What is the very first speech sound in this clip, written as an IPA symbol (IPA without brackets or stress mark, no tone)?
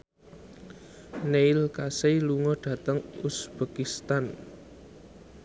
n